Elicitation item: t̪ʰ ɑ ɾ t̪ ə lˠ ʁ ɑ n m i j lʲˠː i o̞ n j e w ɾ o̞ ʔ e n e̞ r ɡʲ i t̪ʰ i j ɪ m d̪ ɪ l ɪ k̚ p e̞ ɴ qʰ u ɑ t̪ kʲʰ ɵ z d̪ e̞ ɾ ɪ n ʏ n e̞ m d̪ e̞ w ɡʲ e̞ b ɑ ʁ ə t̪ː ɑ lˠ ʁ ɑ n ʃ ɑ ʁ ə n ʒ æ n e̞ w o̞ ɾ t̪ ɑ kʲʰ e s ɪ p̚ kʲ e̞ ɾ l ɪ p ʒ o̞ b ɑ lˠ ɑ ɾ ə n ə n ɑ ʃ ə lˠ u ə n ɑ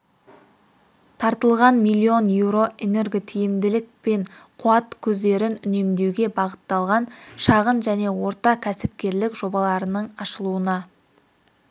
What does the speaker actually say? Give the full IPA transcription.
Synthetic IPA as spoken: t̪ʰ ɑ ɾ t̪ ə lˠ ʁ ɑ n m i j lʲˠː i o̞ n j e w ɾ o̞ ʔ e n e̞ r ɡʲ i t̪ʰ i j ɪ m d̪ ɪ l ɪ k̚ p e̞ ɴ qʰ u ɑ t̪ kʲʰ ɵ z d̪ e̞ ɾ ɪ n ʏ n e̞ m d̪ e̞ w ɡʲ e̞ b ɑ ʁ ə t̪ː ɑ lˠ ʁ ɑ n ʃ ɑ ʁ ə n ʒ æ n e̞ w o̞ ɾ t̪ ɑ kʲʰ æ s ɪ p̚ kʲ e̞ ɾ l ɪ k ʒ o̞ b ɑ lˠ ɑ ɾ ə n ə ɴ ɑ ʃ ə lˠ u ə n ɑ